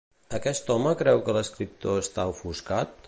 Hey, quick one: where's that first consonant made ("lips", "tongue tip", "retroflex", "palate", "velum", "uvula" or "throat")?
velum